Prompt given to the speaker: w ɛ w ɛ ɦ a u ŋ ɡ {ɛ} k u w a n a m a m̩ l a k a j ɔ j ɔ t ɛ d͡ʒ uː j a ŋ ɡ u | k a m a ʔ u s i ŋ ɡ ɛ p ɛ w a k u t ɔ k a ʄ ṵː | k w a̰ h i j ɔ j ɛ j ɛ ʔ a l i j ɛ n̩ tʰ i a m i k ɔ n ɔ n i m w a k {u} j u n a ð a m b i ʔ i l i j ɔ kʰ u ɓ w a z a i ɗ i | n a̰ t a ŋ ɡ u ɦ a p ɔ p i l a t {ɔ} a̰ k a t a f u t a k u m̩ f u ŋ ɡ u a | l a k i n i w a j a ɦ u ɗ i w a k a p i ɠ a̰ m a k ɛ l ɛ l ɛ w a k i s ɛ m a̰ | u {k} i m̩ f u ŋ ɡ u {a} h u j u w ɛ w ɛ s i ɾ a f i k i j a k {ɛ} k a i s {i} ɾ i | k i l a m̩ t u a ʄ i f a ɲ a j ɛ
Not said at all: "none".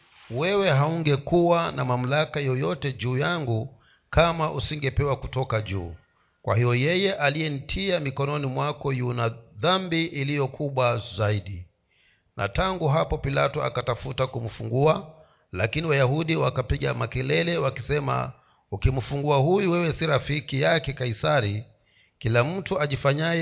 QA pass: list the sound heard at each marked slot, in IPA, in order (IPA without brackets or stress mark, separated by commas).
ɛ, ɔ, ɔ, k, a, ɛ, a